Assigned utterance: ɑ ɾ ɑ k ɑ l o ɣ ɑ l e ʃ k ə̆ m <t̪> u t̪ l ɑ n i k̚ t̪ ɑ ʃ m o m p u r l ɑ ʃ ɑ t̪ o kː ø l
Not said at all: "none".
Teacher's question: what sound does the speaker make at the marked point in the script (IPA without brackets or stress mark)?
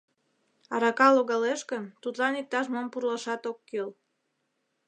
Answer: t̪